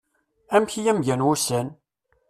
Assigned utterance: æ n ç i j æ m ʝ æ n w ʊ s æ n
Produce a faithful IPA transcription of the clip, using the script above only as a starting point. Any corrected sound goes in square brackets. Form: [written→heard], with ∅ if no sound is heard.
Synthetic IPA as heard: æ [n→m] ç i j æ m ʝ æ n w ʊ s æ n